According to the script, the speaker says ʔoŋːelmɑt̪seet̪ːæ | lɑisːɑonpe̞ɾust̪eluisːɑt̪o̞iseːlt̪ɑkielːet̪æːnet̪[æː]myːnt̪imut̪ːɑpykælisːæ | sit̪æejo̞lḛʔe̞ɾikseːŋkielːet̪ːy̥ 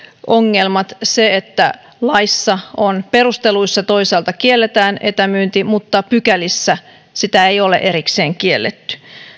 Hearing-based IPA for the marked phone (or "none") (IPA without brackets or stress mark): æ